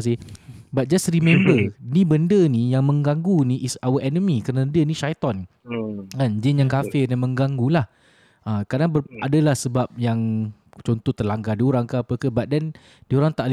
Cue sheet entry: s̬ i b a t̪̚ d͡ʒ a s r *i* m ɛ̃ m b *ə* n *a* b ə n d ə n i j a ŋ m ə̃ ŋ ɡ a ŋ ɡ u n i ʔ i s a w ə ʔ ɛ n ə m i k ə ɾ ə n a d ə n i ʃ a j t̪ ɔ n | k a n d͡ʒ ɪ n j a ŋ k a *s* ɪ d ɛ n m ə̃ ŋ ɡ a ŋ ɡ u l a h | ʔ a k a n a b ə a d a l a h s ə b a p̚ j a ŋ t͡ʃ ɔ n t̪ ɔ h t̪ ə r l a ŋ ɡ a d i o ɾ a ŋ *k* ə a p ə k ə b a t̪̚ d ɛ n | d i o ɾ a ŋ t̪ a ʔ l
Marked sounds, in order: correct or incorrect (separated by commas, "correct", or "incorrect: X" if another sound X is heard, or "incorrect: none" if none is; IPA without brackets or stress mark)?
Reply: correct, correct, incorrect: i, incorrect: f, correct